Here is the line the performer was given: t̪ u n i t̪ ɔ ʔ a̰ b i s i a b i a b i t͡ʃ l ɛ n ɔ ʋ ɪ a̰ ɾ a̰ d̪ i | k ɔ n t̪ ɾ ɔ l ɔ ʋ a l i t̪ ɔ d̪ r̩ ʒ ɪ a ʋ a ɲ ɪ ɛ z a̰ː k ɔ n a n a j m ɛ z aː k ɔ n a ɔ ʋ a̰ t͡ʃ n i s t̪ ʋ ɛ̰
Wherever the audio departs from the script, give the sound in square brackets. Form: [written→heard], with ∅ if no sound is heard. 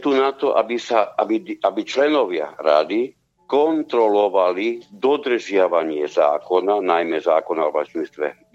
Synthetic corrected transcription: t̪ u n [i→a] t̪ ɔ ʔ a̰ b i s [i→a] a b i a b i t͡ʃ l ɛ n ɔ ʋ ɪ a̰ ɾ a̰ d̪ i | k ɔ n t̪ ɾ ɔ l ɔ ʋ a l i [t̪→d̪] ɔ d̪ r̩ ʒ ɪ a ʋ a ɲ ɪ ɛ z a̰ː k ɔ n a n a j m ɛ z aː k ɔ n a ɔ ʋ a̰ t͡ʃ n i s t̪ ʋ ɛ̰